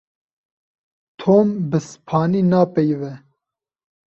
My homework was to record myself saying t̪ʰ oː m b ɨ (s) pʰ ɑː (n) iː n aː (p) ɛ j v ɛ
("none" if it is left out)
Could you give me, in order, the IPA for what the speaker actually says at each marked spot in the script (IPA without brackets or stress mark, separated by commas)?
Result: s, n, p